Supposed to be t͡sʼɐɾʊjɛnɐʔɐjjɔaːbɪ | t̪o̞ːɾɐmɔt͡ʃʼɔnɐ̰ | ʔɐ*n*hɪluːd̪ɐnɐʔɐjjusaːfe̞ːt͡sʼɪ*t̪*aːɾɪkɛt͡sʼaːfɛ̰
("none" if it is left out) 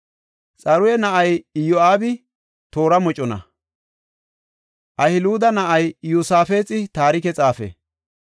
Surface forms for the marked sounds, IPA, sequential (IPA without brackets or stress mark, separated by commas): none, t̪